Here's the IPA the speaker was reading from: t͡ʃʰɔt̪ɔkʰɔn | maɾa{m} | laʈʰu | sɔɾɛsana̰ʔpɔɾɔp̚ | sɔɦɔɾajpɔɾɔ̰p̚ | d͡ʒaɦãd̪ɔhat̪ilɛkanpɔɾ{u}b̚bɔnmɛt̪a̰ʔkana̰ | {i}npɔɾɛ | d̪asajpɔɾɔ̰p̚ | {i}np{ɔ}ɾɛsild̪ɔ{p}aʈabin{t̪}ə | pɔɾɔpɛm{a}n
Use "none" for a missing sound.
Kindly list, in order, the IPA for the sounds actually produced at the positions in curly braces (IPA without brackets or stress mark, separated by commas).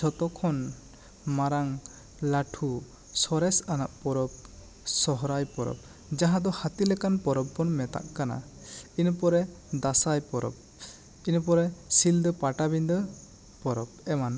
ŋ, ɔ, i, i, ɔ, p, d̪, a